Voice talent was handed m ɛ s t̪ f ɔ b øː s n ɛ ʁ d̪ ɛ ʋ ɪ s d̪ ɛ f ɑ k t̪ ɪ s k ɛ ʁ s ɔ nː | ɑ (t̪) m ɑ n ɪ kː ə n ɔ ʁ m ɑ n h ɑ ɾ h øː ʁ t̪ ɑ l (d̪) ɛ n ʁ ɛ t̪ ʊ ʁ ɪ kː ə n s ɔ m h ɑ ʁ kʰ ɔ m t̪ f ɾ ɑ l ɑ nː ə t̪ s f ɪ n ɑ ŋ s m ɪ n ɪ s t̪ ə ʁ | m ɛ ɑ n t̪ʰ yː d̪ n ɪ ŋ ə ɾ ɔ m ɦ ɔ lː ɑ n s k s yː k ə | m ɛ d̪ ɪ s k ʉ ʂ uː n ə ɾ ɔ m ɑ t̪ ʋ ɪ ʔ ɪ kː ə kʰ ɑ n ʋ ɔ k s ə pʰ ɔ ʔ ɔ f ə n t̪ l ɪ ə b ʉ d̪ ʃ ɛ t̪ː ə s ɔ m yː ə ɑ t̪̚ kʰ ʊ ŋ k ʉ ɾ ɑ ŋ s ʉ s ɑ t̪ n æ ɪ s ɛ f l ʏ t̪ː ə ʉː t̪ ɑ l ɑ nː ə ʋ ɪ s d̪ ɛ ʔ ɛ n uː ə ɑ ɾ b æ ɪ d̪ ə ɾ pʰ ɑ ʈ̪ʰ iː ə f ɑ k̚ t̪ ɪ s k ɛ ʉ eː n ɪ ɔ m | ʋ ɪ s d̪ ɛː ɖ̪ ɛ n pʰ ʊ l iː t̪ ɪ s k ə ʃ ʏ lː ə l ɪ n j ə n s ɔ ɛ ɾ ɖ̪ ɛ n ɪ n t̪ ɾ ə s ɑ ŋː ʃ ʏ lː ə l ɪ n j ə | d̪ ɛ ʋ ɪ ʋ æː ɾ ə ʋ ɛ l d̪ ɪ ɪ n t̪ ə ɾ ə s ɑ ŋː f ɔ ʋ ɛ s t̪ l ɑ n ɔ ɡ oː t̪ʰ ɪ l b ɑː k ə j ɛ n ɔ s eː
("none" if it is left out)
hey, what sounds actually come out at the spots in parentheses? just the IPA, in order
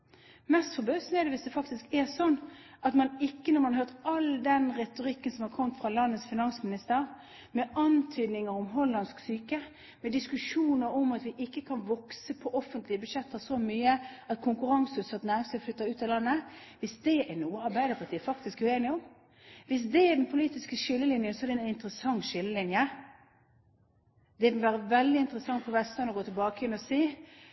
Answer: t̪, d̪

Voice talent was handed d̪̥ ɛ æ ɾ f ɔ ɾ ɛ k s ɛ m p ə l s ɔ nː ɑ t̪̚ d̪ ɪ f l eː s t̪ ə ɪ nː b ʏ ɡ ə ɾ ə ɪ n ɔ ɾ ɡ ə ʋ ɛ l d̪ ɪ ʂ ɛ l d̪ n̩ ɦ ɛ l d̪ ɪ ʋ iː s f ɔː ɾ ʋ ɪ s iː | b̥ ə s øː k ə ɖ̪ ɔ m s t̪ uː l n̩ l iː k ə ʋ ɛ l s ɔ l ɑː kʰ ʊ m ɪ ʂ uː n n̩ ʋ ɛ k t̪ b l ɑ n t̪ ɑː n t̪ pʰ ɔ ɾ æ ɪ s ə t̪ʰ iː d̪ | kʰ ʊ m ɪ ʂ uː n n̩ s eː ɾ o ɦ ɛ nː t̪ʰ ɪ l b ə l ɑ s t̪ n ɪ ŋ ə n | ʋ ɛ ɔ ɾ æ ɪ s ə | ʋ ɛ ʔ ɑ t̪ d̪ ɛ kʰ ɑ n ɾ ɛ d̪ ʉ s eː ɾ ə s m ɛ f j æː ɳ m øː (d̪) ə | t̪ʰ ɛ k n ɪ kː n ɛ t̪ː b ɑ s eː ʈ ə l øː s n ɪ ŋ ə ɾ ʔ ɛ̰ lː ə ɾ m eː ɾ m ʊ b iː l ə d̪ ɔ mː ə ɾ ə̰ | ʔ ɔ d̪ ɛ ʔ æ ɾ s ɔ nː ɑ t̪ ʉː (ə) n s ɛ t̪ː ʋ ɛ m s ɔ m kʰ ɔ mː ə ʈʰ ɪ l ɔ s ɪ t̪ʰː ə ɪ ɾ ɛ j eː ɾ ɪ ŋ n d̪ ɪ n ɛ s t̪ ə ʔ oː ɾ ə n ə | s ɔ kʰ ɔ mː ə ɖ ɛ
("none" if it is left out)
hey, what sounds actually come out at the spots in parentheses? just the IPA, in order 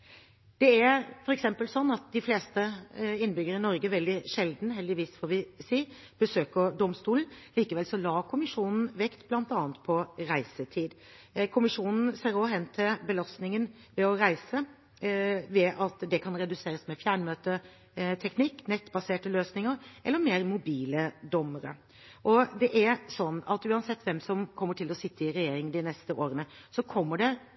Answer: t̪, ɑ

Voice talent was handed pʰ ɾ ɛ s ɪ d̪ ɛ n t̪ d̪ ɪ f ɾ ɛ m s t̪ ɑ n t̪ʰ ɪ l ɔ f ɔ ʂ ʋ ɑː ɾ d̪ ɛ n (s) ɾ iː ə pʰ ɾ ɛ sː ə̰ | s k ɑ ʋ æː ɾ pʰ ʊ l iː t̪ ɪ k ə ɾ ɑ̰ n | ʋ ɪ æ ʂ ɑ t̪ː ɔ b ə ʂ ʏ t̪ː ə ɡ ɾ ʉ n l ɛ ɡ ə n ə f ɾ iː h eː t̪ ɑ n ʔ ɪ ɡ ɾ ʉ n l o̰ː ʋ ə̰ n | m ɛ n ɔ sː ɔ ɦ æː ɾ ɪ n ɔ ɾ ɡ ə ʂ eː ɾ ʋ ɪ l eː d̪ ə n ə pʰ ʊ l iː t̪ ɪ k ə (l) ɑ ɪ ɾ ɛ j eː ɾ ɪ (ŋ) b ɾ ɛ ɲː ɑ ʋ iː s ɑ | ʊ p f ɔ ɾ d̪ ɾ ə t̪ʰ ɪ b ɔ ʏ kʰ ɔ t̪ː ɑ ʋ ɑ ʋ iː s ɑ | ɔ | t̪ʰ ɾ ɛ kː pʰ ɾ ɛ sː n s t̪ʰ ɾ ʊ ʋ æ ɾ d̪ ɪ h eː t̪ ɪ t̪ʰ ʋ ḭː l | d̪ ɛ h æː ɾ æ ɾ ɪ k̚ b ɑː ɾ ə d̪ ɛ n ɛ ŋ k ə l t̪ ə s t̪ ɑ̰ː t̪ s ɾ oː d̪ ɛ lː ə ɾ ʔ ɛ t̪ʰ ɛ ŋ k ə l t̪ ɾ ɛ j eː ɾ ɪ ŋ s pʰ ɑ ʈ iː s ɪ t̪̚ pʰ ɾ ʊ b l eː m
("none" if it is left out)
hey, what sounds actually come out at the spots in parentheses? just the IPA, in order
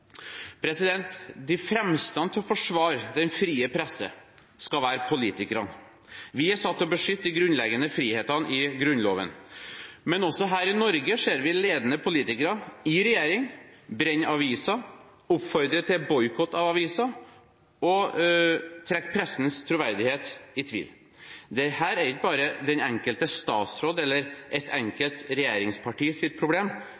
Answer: f, ɾ, ŋ

